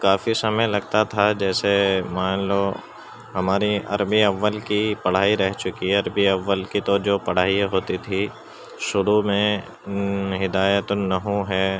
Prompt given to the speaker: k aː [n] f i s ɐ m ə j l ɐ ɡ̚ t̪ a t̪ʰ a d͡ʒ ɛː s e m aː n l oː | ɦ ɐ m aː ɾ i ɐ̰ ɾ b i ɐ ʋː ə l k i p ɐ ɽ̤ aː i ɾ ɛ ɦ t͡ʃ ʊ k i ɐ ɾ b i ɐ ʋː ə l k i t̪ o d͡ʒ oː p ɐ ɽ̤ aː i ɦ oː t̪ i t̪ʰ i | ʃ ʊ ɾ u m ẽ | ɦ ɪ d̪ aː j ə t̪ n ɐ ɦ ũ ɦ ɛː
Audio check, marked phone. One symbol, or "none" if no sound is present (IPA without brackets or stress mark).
none